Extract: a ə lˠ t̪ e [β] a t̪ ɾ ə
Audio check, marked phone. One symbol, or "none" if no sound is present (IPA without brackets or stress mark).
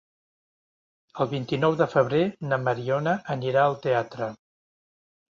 none